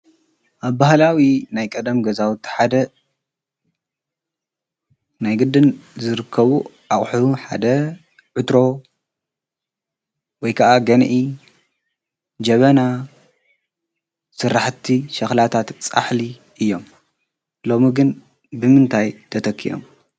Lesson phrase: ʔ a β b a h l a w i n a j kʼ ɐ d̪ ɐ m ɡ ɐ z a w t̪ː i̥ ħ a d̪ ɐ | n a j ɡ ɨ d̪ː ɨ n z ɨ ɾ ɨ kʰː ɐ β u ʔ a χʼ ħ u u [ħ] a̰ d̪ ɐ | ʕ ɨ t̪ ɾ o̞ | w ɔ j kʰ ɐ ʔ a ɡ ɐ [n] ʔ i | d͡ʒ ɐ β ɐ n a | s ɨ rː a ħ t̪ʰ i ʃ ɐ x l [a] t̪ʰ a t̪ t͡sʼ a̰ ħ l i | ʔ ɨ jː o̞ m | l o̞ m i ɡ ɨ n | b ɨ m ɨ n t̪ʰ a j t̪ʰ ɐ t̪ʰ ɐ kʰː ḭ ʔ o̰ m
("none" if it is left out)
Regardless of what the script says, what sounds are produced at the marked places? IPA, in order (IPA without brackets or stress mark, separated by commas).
ħ, n, a